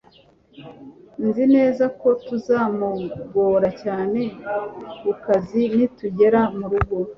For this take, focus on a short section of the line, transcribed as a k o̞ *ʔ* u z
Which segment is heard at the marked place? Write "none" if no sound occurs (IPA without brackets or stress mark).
t